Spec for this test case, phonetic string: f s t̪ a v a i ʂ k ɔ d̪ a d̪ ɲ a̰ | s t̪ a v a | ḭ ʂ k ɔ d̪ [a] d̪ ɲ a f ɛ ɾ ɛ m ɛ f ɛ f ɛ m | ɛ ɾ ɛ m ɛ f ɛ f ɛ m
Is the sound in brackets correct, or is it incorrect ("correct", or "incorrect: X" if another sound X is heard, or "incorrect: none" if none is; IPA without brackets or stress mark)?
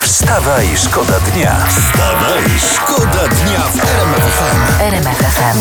correct